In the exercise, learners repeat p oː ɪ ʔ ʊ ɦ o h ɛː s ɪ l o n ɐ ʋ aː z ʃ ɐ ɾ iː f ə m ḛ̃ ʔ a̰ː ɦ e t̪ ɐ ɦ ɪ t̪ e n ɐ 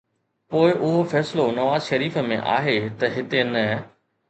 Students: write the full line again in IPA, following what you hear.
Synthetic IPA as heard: p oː ɪ ʔ ʊ ɦ o f ɛː s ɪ l o n ɐ ʋ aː z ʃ ɐ ɾ iː f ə m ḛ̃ ʔ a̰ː ɦ e t̪ ɐ ɦ ɪ t̪ e n ɐ